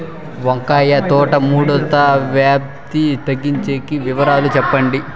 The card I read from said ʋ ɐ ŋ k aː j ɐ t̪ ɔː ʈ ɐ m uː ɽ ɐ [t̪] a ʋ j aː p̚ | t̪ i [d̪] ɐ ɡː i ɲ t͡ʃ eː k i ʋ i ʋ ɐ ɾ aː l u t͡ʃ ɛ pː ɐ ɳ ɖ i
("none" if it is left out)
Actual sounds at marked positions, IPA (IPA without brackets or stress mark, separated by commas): t̪, t̪